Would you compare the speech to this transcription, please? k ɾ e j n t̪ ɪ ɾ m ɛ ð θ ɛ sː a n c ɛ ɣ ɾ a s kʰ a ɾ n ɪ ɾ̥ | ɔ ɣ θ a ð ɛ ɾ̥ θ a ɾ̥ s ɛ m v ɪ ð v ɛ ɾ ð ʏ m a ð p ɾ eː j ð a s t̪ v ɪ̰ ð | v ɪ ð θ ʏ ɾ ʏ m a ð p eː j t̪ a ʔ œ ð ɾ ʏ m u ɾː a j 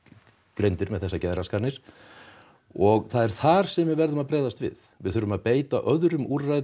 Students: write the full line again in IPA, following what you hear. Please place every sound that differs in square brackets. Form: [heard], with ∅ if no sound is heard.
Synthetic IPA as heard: k ɾ e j n t̪ ɪ ɾ m ɛ ð θ ɛ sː a [∅] c ɛ [ð] ɾ a s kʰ a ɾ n ɪ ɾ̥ | ɔ ɣ θ a ð ɛ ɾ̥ θ a ɾ̥ s ɛ m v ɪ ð v ɛ ɾ ð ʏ m a ð p ɾ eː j ð a s t̪ v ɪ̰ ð | v ɪ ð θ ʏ ɾ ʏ m a ð p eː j t̪ a ʔ œ ð ɾ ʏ m u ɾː a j